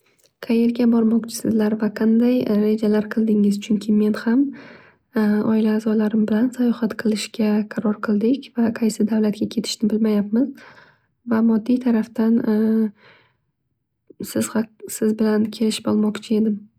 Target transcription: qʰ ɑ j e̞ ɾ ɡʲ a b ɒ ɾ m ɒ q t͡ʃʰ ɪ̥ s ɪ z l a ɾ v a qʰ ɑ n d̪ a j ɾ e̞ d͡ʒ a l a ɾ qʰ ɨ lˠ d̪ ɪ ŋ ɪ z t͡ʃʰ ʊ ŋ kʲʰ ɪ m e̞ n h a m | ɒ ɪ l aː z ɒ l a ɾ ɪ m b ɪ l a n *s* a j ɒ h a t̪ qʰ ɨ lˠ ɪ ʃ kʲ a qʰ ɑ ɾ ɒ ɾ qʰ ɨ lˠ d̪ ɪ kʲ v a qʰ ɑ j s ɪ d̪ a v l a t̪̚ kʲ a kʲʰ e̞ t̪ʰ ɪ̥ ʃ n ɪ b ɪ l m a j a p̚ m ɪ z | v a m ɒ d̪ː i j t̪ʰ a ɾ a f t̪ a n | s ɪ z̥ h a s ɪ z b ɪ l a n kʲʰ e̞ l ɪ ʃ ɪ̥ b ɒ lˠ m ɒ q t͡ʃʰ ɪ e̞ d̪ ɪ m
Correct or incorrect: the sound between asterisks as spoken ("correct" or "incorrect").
correct